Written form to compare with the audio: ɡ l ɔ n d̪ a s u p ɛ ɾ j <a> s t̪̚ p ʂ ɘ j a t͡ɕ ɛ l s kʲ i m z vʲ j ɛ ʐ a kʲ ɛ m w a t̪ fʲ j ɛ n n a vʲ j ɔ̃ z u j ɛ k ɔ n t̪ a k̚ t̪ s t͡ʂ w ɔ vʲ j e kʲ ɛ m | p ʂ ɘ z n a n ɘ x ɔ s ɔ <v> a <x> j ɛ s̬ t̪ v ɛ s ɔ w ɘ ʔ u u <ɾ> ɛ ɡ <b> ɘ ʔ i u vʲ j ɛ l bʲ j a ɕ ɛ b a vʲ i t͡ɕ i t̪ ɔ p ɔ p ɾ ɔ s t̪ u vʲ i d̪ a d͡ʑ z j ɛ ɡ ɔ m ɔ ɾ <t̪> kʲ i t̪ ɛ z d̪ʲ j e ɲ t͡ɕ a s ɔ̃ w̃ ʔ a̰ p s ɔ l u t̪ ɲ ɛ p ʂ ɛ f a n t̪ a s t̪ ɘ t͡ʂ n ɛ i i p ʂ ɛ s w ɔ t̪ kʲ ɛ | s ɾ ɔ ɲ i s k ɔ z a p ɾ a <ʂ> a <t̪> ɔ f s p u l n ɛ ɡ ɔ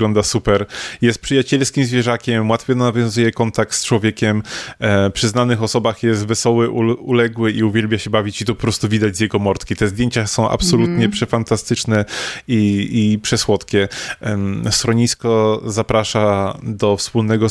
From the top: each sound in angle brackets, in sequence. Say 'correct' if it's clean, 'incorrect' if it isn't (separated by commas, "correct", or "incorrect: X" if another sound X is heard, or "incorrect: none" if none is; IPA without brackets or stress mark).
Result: incorrect: ɛ, incorrect: b, correct, incorrect: l, incorrect: w, correct, correct, incorrect: d̪